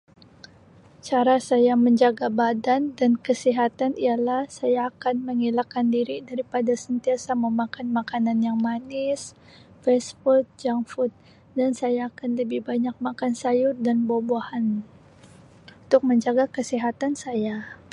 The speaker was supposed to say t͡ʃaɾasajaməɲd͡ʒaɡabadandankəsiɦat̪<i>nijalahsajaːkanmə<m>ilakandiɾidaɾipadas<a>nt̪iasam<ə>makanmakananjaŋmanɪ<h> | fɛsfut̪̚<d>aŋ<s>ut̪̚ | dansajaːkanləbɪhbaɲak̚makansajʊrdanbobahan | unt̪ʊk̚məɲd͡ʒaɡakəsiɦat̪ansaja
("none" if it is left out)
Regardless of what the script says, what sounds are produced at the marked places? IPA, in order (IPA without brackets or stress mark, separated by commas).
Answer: a, ŋ, ə, ə, s, d͡ʒ, f